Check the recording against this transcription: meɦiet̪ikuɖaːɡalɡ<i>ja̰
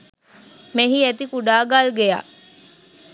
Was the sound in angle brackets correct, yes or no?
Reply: no